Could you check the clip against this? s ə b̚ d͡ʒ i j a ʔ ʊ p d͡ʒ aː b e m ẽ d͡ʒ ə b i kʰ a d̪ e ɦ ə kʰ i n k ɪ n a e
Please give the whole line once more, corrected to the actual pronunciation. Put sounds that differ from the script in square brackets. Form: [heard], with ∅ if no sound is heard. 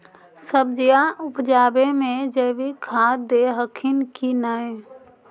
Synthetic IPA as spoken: s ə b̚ d͡ʒ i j a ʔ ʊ p d͡ʒ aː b e m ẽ d͡ʒ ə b i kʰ a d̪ e ɦ ə kʰ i n k [i] n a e